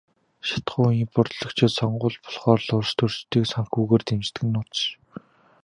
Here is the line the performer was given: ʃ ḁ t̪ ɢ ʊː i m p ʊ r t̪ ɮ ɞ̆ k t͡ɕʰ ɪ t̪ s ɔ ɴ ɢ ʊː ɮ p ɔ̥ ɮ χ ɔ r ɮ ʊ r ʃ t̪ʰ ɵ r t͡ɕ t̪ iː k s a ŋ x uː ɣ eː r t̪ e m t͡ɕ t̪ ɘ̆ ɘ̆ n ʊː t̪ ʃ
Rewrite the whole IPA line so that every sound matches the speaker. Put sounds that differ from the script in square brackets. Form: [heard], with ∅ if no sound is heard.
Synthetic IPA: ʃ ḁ t̪ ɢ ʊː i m p ʊ r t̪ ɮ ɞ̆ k t͡ɕʰ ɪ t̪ s ɔ ɴ ɢ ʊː ɮ p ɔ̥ ɮ χ [ɔː] r ɮ ʊ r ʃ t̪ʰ ɵ r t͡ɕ t̪ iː k s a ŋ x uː ɣ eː r t̪ e m t͡ɕ t̪ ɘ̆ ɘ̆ n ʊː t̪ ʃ